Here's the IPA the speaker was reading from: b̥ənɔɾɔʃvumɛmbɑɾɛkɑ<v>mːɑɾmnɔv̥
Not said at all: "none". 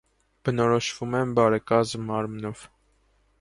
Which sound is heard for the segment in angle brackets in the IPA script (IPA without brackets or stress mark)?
z